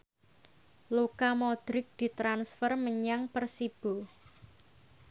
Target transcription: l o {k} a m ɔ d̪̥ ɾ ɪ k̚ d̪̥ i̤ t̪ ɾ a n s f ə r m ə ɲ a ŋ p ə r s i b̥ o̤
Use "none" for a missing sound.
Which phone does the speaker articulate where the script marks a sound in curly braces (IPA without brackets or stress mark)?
k